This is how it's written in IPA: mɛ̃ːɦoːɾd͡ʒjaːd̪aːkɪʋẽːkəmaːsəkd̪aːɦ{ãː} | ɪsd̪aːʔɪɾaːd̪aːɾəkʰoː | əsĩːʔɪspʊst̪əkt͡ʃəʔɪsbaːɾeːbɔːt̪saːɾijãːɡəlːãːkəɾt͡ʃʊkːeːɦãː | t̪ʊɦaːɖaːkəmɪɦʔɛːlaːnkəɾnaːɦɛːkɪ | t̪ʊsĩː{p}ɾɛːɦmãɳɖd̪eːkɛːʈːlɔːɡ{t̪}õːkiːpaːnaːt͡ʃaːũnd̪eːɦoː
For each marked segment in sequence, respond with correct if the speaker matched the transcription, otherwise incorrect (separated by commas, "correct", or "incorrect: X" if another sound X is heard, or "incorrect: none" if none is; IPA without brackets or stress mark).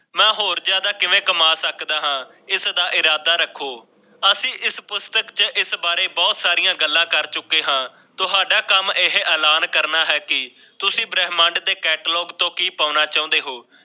correct, incorrect: b, correct